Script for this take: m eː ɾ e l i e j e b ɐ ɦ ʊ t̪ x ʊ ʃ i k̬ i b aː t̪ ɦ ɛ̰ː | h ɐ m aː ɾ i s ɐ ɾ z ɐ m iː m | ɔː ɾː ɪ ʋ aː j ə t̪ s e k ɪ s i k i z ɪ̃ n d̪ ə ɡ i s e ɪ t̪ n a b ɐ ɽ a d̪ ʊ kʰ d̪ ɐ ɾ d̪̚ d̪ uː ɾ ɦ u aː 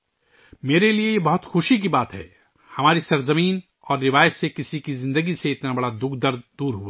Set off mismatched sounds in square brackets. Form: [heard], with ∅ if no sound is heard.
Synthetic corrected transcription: m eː ɾ e l i e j e b ɐ ɦ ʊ t̪ x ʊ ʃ i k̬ i b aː t̪ ɦ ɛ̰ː | h ɐ m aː ɾ i s ɐ ɾ z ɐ m iː [n] | ɔː ɾː ɪ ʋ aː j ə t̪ s e k ɪ s i k i z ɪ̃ n d̪ ə ɡ i s e ɪ t̪ n a b ɐ ɽ a d̪ ʊ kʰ d̪ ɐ ɾ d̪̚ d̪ uː ɾ ɦ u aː